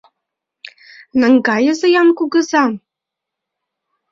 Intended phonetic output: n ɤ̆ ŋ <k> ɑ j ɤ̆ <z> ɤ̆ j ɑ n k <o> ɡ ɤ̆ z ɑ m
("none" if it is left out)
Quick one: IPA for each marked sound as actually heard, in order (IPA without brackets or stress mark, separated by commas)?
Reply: ɡ, z, u